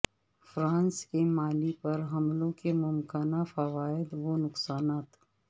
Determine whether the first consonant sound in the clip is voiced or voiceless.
voiceless